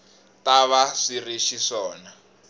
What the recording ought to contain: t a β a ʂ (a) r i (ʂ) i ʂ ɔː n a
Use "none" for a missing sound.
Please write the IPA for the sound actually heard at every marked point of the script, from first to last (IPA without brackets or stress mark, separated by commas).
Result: i, ʃ